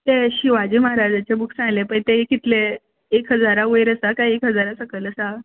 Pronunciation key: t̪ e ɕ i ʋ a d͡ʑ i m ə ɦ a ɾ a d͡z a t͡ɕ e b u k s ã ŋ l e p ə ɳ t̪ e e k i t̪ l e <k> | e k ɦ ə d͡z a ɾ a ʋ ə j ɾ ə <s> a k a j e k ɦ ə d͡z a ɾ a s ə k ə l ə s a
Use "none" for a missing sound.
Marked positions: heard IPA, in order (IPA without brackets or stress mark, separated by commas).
none, s